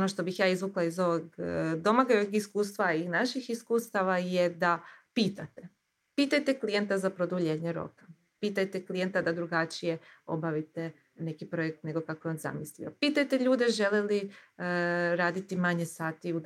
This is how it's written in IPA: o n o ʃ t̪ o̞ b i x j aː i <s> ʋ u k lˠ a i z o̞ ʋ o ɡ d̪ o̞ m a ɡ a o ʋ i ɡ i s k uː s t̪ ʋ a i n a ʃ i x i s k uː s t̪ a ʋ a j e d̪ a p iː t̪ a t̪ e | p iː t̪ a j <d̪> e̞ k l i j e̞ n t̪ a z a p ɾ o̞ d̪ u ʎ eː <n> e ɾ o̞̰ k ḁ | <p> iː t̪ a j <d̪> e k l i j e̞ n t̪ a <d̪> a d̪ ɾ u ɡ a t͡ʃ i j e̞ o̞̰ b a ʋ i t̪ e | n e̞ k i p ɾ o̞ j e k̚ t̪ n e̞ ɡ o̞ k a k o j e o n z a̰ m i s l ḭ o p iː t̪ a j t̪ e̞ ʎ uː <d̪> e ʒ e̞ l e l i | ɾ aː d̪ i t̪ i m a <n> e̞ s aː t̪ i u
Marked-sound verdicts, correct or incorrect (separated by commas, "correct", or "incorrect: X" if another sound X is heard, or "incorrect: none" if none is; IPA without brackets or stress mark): incorrect: z, incorrect: t̪, incorrect: ɲ, correct, incorrect: t̪, correct, correct, incorrect: ɲ